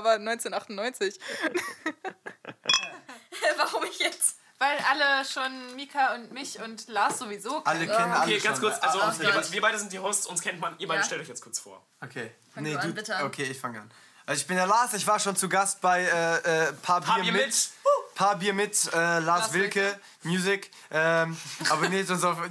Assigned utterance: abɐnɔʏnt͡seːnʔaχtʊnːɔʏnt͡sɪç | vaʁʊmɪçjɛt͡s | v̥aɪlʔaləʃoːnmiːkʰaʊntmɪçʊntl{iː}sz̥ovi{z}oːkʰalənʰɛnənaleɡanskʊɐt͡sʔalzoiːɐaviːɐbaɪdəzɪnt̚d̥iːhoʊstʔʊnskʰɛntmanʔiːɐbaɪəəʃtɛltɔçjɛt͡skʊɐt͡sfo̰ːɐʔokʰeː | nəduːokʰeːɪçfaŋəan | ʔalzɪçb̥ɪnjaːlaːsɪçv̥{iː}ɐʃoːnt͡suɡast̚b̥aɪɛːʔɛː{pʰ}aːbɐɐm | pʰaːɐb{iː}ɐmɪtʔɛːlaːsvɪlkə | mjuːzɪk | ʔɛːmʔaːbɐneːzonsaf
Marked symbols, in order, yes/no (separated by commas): no, yes, no, yes, yes